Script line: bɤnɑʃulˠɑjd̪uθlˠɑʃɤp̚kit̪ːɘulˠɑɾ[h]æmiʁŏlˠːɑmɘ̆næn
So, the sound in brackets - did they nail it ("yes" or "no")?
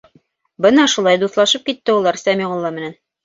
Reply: no